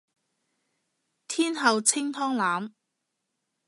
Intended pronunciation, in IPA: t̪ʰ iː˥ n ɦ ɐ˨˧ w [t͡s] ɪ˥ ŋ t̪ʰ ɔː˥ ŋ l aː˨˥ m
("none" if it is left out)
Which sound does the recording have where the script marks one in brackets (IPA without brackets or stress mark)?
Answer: t͡sʰ